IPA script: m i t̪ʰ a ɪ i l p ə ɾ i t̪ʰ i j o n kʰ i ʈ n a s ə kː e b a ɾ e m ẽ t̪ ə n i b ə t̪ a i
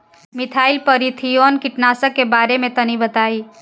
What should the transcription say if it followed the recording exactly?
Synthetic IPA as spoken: m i t̪ʰ a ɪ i l p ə ɾ i t̪ʰ i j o n k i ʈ n a s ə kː e b a ɾ e m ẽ t̪ ə n i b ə t̪ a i